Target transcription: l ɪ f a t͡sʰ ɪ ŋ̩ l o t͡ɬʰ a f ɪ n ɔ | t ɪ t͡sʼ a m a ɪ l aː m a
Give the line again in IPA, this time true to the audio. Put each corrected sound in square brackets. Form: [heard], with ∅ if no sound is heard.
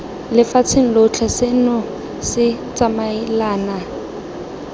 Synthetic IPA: l ɪ f a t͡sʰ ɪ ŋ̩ l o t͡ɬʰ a [s] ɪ n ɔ | [s] ɪ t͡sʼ a m a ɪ l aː [n] a